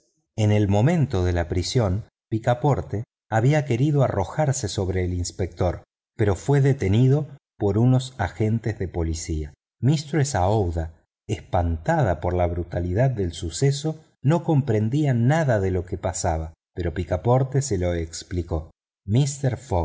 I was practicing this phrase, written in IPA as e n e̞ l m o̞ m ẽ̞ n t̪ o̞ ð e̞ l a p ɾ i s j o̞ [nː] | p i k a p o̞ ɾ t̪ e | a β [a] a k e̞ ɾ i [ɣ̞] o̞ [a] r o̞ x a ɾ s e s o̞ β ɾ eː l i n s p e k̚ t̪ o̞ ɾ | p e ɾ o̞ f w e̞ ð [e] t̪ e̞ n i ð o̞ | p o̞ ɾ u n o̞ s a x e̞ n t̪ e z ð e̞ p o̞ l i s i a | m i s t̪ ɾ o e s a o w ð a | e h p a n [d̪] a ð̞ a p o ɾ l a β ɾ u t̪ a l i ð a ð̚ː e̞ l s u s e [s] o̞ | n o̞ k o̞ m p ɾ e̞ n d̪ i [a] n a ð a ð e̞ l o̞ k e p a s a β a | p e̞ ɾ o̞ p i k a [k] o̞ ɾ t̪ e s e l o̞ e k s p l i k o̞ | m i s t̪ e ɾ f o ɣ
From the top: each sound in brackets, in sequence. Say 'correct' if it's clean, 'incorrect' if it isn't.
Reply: incorrect: n, incorrect: i, incorrect: ð̞, correct, correct, incorrect: t̪, correct, correct, incorrect: p

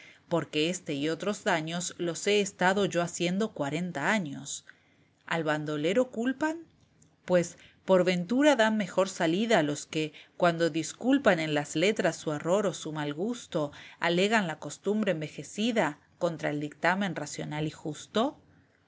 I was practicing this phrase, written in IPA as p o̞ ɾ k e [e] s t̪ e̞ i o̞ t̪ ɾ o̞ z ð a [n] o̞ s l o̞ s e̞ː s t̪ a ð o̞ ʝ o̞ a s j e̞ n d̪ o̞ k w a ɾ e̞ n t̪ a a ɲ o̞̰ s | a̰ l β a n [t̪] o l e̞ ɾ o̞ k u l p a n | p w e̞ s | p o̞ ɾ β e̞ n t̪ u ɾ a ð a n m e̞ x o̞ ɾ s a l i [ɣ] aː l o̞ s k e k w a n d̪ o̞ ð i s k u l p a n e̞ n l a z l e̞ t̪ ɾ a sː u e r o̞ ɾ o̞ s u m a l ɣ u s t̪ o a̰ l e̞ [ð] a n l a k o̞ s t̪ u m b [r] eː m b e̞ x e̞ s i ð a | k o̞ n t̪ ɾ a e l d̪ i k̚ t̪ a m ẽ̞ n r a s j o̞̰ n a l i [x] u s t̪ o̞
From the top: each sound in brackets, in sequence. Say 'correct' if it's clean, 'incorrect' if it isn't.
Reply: correct, incorrect: ɲ, incorrect: d̪, incorrect: ð, incorrect: ɣ, incorrect: ɾ, correct

